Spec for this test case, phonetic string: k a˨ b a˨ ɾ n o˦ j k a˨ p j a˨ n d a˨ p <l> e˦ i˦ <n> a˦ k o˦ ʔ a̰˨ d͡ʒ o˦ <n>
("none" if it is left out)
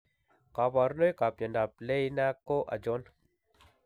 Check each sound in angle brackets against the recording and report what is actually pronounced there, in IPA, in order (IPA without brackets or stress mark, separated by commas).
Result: l, n, n